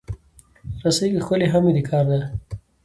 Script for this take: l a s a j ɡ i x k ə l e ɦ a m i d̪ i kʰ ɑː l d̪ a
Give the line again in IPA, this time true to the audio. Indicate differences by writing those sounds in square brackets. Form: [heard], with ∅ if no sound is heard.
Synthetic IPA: [ɾ] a s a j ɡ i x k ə l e ɦ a m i d̪ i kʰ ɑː [ɾ] d̪ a